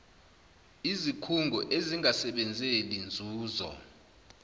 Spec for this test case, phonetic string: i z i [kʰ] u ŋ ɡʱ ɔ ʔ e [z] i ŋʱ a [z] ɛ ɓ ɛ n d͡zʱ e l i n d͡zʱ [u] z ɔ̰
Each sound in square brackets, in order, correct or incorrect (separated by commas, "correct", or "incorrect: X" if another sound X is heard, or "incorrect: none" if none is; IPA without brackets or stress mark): correct, correct, incorrect: s, incorrect: uː